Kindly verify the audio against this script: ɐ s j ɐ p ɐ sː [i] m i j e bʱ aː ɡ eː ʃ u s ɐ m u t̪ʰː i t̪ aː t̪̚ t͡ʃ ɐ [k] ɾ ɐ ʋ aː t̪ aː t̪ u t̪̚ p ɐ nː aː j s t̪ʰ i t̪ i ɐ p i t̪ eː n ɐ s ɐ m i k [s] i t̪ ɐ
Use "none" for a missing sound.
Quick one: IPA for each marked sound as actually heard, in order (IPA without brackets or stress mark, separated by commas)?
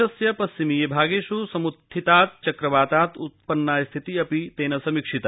i, k, ʂ